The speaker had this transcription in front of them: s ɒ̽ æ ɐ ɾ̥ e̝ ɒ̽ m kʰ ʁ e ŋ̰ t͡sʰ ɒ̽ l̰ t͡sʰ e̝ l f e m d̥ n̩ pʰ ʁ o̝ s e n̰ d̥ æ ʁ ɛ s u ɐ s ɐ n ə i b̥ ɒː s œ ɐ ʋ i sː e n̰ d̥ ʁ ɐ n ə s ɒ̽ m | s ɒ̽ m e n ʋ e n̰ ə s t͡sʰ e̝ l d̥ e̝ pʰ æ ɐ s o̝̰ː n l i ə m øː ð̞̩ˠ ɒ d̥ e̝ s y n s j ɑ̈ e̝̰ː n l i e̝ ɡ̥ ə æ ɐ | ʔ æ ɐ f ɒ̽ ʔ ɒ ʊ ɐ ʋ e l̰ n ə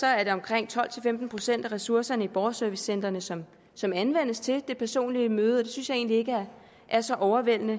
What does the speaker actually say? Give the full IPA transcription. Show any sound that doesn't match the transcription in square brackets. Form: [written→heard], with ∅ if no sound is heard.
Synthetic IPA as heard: s ɒ̽ æ ɐ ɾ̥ e̝ ɒ̽ m kʰ ʁ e ŋ̰ t͡sʰ ɒ̽ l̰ t͡sʰ e̝ l f e m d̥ n̩ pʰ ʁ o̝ s e n̰ d̥ æ ʁ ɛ s u ɐ s ɐ n ə i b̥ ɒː s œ ɐ ʋ i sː e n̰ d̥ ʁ ɐ n ə s ɒ̽ m | s ɒ̽ m [e→æ] n ʋ e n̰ ə s t͡sʰ e̝ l d̥ e̝ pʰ æ ɐ s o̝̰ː n l i ə m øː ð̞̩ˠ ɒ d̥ e̝ s y n s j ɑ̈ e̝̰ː n l i e̝ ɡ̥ ə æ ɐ | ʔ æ ɐ [f→s] ɒ̽ ʔ ɒ ʊ ɐ ʋ e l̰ n ə

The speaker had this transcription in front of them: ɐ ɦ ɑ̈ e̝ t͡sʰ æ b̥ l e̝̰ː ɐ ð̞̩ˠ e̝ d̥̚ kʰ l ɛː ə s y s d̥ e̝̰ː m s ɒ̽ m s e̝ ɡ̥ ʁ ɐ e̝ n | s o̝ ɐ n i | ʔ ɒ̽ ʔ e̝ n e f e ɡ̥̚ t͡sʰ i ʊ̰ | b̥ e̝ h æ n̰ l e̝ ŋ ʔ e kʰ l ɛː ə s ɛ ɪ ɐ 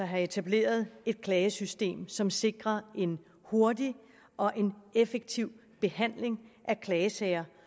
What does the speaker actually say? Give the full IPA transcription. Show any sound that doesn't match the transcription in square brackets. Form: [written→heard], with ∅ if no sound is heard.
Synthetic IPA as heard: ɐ ɦ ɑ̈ e̝ t͡sʰ æ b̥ l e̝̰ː ɐ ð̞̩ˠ e̝ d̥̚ kʰ l ɛː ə s y s d̥ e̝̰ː m s ɒ̽ m s e̝ ɡ̥ ʁ ɐ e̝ n | [s→h] o̝ ɐ [n→d] i | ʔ ɒ̽ ʔ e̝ n e f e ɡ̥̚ t͡sʰ i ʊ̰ | b̥ e̝ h æ n̰ l e̝ ŋ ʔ [e→æ] kʰ l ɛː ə s ɛ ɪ ɐ

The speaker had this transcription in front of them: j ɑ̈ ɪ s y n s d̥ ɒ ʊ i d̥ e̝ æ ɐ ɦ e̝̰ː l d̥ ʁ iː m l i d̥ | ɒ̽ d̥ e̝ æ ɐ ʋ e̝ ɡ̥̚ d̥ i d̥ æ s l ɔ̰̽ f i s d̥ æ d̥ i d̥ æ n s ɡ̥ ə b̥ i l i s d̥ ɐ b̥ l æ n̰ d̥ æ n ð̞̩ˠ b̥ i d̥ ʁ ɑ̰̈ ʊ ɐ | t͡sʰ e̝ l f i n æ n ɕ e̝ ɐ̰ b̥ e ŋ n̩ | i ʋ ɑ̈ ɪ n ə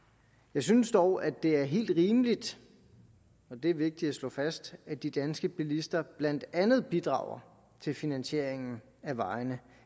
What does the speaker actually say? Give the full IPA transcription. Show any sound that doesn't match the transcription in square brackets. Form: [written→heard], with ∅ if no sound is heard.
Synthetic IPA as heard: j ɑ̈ ɪ s y n s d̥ ɒ ʊ [i→æ] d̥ e̝ æ ɐ ɦ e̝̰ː l d̥ ʁ iː m l i d̥ | ɒ̽ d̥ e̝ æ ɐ ʋ e̝ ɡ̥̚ d̥ i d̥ æ s l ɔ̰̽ f [i→æ] s d̥ æ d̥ i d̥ æ n s ɡ̥ ə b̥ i l i s d̥ ɐ b̥ l æ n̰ d̥ æ n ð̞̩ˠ b̥ i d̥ ʁ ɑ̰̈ ʊ ɐ | t͡sʰ e̝ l f i n æ n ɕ e̝ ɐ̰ [b̥→∅] e ŋ n̩ | [i→æ] ʋ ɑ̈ ɪ n ə

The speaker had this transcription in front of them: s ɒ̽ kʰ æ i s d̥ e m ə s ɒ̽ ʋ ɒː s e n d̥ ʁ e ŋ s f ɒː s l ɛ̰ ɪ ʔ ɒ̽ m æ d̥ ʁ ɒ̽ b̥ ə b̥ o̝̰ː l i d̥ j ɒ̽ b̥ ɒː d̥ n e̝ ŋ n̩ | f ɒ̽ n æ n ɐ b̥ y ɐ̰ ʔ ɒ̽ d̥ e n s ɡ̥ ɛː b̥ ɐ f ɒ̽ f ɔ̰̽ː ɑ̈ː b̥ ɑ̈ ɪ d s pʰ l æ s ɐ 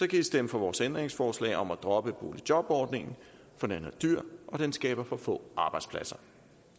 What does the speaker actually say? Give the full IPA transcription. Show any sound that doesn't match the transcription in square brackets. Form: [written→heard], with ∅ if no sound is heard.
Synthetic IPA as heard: s ɒ̽ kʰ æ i s d̥ e m ə [s→f] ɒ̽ ʋ ɒː s e n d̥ ʁ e ŋ s f ɒː s l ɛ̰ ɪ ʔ ɒ̽ m æ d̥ ʁ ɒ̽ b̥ ə b̥ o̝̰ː l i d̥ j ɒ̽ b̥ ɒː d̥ n e̝ ŋ n̩ | f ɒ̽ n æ n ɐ [b̥→d̥] y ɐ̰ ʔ ɒ̽ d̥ e n s ɡ̥ ɛː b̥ ɐ f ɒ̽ f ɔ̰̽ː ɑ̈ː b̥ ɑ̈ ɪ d s pʰ l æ s ɐ

